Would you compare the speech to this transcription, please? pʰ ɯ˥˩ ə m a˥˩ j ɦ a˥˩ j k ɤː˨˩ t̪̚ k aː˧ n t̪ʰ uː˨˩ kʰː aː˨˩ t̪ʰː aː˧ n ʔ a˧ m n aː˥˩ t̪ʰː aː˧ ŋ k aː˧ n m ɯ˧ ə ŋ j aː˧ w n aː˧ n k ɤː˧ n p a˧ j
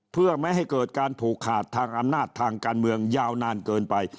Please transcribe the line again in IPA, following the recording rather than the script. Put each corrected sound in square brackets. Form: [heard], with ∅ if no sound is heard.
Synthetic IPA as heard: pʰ ɯ˥˩ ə m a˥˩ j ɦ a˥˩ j k ɤː˨˩ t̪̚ k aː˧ n t̪ʰ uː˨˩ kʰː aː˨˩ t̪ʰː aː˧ [ŋ] ʔ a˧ m n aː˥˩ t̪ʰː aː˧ ŋ k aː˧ n m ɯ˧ ə ŋ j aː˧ w n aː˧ n k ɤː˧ n p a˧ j